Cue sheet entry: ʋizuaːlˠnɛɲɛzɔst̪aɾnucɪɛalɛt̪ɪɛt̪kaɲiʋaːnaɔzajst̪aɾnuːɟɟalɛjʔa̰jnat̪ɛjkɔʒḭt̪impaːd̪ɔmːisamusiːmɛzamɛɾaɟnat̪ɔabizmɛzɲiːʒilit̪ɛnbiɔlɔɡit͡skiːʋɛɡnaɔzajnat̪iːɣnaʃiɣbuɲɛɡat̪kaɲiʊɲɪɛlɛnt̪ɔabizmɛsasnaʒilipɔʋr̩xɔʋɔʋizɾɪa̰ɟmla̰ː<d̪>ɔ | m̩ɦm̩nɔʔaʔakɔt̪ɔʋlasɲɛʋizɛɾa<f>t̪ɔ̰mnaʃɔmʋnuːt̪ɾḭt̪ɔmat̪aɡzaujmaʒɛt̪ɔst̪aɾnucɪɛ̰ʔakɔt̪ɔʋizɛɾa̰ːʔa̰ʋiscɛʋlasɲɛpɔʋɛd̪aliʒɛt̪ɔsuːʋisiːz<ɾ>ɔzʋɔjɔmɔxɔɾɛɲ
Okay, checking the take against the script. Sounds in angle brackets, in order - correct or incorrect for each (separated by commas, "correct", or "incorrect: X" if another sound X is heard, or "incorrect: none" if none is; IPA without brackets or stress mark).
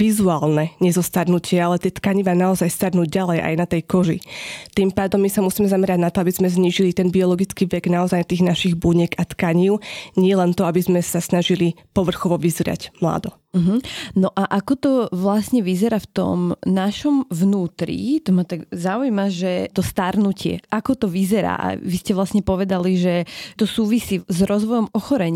correct, correct, correct